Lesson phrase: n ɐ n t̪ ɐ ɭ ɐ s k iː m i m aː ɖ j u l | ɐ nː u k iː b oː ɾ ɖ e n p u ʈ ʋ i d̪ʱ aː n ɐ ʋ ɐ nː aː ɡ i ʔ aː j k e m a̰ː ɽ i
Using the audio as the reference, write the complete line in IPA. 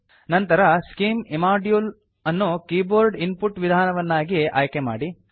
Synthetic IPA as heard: n ɐ n t̪ ɐ ɾ ɐ s k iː m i m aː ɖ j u l | ɐ nː u k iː b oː ɾ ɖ i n p u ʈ ʋ i d̪ʱ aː n ɐ ʋ ɐ nː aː ɡ i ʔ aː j k e m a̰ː ɽ i